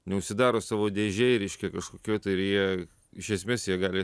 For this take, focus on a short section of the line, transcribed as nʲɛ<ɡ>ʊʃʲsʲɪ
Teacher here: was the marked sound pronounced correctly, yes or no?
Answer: no